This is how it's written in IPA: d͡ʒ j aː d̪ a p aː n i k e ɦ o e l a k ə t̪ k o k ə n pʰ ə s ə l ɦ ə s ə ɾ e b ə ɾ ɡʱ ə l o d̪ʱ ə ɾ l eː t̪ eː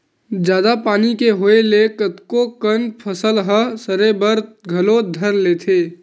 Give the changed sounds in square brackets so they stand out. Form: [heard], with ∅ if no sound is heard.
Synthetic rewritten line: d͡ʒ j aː d̪ a p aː n i k e ɦ o e l [e] k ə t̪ k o k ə n pʰ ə s ə l ɦ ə s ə ɾ e b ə ɾ ɡʱ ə l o d̪ʱ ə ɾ l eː [t̪ʰ] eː